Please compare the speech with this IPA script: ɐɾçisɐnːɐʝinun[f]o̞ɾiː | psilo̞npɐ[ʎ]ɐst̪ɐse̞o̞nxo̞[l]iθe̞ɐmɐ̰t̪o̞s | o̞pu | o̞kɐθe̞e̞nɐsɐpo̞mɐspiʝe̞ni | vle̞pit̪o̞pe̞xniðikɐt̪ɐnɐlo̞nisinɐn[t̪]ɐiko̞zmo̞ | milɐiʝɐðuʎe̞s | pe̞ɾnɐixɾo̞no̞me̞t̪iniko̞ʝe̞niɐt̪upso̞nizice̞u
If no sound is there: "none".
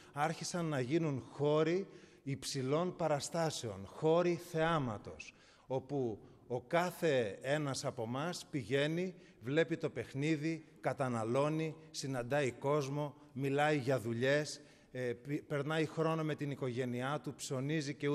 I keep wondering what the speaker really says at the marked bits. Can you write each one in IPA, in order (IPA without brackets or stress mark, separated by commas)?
x, ɾ, ɾ, d̪